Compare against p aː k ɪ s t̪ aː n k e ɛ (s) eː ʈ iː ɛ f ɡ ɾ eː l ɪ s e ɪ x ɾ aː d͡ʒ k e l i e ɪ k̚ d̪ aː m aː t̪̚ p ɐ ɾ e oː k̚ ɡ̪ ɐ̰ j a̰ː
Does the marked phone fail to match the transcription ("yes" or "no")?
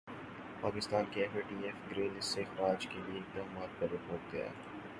yes